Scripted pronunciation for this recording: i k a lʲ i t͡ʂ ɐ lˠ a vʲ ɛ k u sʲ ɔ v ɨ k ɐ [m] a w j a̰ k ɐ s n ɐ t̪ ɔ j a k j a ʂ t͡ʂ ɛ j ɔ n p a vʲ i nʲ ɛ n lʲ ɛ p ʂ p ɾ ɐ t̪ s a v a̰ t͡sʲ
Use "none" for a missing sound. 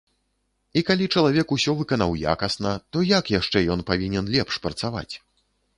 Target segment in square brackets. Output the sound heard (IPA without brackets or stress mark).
n